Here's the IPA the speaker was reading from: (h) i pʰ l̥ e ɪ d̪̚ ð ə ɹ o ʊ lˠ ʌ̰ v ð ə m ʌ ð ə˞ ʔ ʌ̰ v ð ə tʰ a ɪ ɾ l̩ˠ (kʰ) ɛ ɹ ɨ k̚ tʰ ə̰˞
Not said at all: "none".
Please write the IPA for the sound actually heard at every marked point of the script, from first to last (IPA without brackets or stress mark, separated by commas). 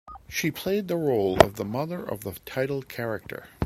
ʃ, kʰ